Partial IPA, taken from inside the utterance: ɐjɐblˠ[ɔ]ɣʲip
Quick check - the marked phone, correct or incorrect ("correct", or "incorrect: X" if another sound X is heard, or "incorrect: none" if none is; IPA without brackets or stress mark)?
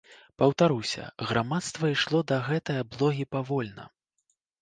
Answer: correct